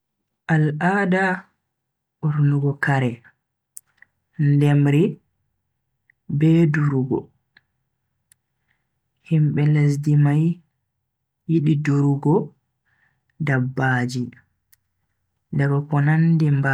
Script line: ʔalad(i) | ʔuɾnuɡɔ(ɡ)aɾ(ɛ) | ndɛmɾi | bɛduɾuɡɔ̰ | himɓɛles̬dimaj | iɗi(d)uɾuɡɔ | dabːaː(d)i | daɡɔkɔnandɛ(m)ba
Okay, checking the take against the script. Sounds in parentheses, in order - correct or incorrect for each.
incorrect, incorrect, correct, correct, incorrect, correct

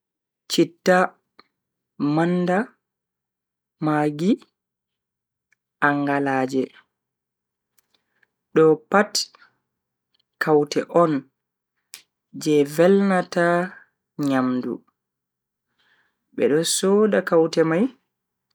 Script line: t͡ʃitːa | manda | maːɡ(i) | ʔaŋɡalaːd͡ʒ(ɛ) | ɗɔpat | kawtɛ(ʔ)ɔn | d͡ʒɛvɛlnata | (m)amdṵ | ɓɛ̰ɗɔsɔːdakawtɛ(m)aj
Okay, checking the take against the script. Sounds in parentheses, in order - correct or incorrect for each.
correct, correct, correct, incorrect, correct

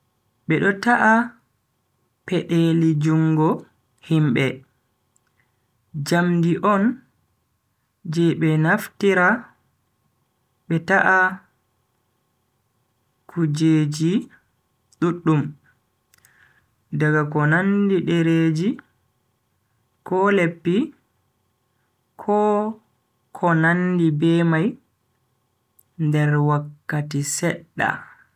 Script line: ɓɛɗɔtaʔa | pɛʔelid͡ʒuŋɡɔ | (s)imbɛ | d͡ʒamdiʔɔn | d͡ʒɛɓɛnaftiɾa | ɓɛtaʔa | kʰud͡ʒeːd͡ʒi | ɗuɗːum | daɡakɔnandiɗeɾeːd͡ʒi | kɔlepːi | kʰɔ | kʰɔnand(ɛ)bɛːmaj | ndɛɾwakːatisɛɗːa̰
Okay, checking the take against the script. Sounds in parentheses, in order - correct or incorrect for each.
incorrect, incorrect

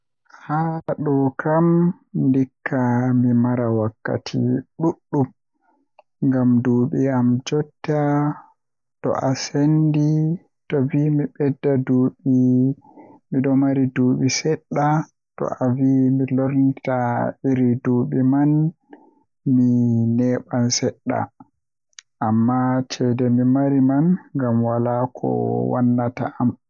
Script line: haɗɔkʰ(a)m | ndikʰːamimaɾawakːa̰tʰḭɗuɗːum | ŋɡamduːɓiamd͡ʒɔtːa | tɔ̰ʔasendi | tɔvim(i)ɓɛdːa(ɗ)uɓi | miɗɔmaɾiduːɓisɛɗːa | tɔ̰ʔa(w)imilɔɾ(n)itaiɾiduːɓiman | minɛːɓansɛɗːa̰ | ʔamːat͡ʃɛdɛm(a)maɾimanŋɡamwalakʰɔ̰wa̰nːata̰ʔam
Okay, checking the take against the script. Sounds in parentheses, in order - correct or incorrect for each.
correct, correct, incorrect, incorrect, correct, incorrect

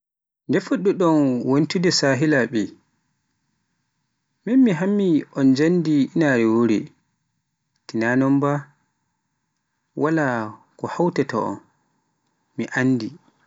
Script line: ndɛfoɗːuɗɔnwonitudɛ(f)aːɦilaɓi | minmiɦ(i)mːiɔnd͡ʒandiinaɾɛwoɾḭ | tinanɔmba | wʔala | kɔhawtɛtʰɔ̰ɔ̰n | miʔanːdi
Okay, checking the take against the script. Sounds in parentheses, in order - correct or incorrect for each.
incorrect, incorrect

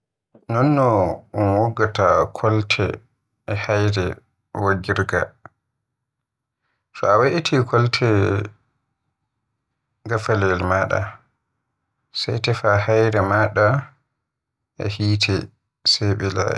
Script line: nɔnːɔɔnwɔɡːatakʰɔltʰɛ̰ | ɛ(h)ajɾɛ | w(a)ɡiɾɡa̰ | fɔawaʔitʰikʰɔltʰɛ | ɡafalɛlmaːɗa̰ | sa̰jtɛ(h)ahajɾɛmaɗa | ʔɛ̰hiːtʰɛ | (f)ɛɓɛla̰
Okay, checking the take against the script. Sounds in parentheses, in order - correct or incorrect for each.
correct, correct, incorrect, incorrect

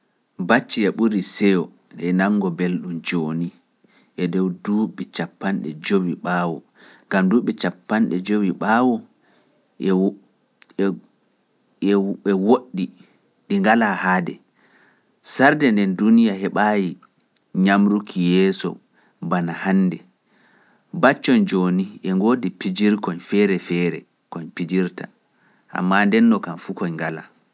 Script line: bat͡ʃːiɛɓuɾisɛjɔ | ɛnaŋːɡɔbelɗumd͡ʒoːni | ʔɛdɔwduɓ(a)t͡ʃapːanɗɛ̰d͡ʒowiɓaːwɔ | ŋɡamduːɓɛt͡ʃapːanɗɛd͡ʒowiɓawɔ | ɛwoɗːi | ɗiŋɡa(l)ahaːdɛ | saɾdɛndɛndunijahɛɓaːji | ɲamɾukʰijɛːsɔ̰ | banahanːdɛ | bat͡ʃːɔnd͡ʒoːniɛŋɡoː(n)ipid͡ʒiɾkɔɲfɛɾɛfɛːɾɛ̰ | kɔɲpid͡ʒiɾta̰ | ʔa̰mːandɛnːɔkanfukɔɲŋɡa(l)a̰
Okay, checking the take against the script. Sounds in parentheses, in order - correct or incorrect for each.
incorrect, correct, incorrect, correct

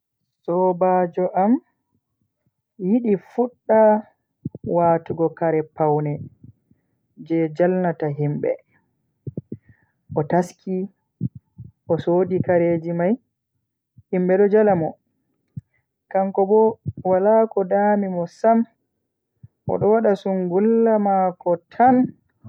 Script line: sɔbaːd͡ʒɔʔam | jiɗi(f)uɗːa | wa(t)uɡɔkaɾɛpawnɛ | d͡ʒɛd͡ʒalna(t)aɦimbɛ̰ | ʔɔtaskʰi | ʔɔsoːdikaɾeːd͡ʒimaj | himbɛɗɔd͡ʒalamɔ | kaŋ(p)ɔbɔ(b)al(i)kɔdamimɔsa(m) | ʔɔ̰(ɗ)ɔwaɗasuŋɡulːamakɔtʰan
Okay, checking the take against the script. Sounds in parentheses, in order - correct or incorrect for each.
correct, correct, correct, incorrect, incorrect, incorrect, correct, correct

